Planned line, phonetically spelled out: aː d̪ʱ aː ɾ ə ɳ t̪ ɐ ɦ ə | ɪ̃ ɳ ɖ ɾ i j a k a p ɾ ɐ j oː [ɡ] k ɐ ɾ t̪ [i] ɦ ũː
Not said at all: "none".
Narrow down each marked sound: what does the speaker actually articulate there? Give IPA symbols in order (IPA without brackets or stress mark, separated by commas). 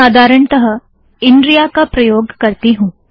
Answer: ɡ, i